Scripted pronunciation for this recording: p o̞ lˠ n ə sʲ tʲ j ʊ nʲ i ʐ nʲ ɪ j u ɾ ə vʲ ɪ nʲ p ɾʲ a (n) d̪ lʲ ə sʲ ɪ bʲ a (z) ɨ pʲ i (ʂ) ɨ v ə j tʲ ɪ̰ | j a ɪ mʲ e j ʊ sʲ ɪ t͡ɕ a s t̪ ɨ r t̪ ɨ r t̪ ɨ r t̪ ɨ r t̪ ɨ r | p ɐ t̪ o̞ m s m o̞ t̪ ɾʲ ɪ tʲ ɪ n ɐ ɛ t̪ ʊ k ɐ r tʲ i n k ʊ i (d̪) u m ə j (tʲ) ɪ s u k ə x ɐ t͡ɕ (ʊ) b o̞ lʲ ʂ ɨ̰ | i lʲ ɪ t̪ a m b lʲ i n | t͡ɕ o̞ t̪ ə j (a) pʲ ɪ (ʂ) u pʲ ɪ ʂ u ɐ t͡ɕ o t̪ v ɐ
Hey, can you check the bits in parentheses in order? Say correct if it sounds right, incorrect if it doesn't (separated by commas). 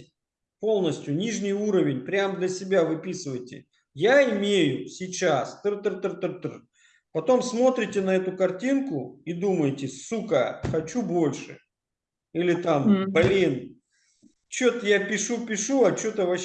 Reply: incorrect, incorrect, incorrect, correct, correct, incorrect, correct, correct